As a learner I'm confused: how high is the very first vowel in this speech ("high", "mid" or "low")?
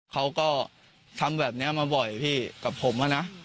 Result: low